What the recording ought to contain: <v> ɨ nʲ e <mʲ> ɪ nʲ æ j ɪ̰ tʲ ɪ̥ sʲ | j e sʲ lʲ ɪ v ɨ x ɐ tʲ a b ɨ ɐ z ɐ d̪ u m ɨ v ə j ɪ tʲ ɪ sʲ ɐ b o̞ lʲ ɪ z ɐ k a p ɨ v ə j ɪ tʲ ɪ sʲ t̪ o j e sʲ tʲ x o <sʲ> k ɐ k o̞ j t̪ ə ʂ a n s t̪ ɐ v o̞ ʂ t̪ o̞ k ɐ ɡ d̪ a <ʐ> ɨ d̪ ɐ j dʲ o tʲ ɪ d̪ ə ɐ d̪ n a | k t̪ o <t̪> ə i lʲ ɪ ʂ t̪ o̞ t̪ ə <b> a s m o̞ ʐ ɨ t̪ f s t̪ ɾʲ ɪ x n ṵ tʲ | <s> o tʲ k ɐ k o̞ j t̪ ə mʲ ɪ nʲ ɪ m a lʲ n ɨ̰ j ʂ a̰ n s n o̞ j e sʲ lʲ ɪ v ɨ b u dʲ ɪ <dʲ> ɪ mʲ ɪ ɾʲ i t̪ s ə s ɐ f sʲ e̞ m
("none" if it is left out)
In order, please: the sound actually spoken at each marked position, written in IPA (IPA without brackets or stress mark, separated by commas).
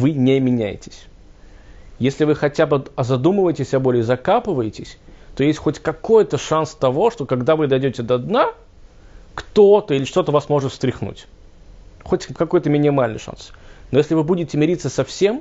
v, mʲ, tʲ, v, t̪, v, x, tʲ